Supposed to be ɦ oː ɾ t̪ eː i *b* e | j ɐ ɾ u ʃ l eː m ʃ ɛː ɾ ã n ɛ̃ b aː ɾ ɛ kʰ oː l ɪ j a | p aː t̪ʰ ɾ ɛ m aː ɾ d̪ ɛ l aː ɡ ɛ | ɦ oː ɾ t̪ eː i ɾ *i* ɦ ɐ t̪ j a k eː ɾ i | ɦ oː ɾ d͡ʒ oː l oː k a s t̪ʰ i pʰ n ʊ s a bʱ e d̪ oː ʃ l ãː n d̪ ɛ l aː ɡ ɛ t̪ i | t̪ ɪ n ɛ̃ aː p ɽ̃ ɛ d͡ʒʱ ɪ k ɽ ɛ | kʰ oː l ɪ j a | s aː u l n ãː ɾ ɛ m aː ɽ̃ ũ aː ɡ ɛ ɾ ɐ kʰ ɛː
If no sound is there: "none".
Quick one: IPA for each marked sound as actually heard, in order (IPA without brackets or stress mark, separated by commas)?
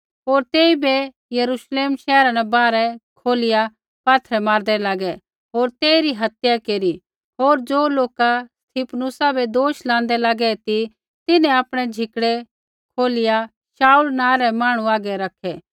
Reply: b, i